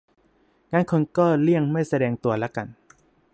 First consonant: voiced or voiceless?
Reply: voiced